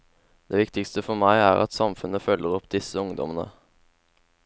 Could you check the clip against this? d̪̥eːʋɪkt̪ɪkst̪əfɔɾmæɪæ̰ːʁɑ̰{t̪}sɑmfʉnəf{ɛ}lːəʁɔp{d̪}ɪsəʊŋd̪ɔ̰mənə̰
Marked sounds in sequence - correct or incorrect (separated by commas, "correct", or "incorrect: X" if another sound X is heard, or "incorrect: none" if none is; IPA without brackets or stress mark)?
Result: correct, incorrect: œ, correct